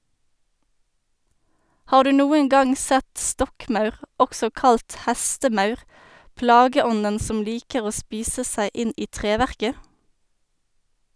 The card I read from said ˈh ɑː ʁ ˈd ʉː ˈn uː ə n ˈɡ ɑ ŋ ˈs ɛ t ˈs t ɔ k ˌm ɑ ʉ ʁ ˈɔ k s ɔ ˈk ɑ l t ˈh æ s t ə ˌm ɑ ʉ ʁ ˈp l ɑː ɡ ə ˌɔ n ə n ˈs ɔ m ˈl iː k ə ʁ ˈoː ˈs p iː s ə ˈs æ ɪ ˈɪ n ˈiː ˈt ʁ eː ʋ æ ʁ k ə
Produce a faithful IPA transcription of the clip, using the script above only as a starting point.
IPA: ˈh ɑː ʁ ˈd ʉː ˈn uː ə ŋ ˈɡ ɑ ŋ ˈs ɛ t ˈs t ɔ k ˌm ɑ ʉ ʁ ˈɔ k s ɔ ˈk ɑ l t ˈh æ s t ə ˌm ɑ ʉ ʁ ˈp l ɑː ɡ ə ˌɔ n ə n ˈs ɔ m ˈl iː k ə ʁ ˈoː ˈs p iː s ə ˈs æ ɪ ˈɪ n ˈiː ˈt ʁ eː ʋ æ ʁ k ə